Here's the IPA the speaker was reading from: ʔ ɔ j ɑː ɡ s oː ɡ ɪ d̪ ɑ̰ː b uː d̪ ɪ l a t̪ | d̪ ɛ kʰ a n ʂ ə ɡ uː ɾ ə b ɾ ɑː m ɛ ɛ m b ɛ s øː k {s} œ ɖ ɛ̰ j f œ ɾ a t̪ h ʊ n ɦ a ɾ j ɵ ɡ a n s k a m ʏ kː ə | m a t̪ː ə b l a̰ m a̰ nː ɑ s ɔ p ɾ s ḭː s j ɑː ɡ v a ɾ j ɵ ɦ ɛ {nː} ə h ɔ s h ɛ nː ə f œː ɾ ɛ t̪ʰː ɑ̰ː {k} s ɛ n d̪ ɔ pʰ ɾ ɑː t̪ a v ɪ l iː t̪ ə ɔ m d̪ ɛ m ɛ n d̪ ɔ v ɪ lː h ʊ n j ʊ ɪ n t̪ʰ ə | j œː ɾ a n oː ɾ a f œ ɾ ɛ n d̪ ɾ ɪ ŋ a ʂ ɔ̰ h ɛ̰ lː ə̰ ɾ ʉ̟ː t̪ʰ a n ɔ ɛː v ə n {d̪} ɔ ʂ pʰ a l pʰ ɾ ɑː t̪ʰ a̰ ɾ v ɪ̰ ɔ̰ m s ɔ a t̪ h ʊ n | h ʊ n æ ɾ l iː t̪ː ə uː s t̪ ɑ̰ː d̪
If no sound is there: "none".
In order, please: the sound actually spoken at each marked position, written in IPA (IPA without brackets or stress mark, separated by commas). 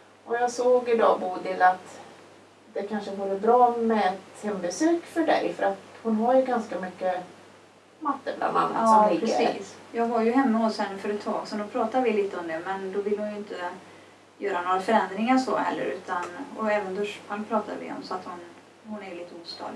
f, mː, ɡ, d̪